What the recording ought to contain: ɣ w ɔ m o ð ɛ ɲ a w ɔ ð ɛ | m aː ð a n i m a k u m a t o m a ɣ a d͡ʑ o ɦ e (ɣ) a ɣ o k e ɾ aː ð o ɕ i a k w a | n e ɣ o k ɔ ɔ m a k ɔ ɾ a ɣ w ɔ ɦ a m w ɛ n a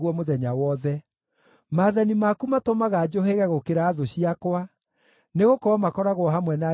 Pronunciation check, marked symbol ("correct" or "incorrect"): correct